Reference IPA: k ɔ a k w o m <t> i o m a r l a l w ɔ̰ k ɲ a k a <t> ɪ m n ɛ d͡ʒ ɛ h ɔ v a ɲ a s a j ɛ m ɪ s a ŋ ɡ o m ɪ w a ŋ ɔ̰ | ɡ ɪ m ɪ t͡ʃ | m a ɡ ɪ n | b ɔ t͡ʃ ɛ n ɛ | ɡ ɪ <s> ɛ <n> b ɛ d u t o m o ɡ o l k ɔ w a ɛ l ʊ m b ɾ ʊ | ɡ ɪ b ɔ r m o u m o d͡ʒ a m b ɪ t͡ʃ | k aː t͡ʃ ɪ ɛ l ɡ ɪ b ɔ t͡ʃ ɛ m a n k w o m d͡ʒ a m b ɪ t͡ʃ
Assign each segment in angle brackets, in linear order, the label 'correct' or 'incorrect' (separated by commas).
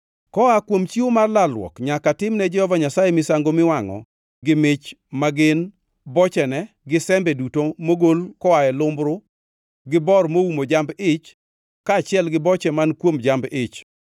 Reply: incorrect, correct, correct, incorrect